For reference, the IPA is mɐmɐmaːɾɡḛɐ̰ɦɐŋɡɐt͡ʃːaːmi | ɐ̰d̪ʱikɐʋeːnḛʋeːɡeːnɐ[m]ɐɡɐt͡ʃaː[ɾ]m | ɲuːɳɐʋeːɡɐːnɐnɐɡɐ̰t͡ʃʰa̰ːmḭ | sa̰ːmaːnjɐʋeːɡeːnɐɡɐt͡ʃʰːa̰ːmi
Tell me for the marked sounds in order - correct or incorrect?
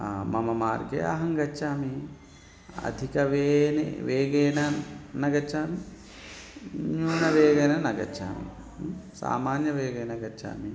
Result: incorrect: n, incorrect: none

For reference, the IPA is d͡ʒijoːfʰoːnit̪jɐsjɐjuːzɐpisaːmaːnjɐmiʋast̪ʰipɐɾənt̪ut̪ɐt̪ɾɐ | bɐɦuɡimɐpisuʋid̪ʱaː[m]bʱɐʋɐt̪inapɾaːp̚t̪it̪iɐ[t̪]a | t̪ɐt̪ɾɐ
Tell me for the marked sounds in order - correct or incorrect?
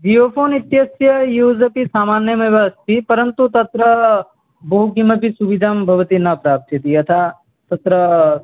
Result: correct, incorrect: t̪ʰ

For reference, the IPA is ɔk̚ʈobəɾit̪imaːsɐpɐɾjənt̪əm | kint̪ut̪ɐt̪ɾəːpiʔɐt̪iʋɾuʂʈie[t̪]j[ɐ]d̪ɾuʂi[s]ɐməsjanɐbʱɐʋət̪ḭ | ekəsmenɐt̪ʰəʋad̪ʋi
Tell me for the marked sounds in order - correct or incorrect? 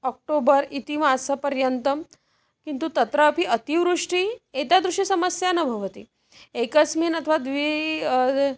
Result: correct, incorrect: a, correct

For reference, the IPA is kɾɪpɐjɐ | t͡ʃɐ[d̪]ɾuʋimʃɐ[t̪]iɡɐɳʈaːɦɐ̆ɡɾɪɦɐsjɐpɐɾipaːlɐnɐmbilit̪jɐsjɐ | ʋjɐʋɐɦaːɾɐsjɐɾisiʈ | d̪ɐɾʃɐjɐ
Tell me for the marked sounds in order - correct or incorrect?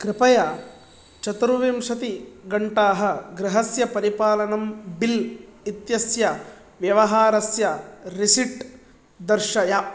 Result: incorrect: t̪, correct

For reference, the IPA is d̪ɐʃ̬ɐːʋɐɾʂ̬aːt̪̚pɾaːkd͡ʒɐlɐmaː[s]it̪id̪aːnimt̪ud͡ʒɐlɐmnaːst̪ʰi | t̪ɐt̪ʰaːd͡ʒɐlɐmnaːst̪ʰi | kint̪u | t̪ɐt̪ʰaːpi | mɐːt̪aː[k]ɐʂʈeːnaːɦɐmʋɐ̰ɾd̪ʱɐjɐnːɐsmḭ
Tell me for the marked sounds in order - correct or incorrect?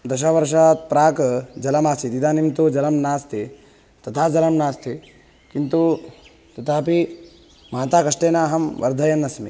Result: correct, correct

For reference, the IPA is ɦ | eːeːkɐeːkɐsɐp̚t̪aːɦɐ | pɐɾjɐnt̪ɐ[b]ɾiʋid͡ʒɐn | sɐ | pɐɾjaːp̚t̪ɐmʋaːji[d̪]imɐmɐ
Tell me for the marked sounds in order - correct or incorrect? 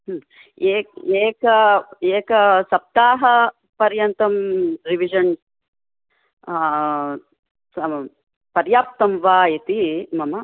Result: incorrect: m, incorrect: t̪

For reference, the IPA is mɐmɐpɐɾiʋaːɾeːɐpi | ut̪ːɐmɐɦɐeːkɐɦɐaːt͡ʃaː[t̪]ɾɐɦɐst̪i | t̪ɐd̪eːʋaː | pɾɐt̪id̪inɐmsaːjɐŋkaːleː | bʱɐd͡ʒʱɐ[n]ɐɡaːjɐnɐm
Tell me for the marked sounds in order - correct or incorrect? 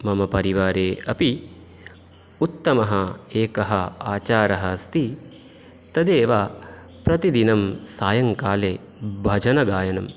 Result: incorrect: none, correct

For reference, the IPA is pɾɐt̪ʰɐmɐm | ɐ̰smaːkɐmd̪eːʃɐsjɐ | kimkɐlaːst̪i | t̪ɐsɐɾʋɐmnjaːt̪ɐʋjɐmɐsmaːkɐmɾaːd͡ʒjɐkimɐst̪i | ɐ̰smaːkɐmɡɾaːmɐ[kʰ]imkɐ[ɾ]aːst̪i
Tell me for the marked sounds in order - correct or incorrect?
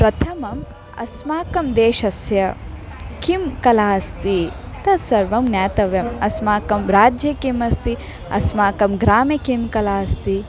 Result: incorrect: k, incorrect: l

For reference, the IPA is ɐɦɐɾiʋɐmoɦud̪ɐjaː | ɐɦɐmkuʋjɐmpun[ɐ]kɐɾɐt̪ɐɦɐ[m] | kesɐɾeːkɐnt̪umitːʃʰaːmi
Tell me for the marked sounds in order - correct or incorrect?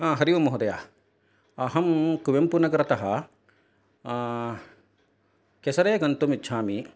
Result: correct, incorrect: none

